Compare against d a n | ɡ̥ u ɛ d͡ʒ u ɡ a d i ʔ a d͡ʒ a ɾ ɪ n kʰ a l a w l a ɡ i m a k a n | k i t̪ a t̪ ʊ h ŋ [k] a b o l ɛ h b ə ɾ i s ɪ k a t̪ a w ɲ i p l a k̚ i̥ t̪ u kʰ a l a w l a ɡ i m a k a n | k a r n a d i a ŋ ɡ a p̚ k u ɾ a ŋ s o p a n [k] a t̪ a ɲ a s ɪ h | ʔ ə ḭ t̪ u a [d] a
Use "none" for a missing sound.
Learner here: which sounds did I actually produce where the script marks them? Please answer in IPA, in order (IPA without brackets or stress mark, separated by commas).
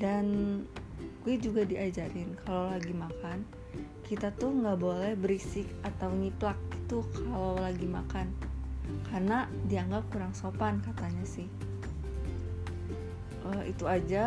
ɡ, k, d͡ʒ